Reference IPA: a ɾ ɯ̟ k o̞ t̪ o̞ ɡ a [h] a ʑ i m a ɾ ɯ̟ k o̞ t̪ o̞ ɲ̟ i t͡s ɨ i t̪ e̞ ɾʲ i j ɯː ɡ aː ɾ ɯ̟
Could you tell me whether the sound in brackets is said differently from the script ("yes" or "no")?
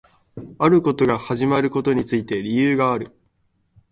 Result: no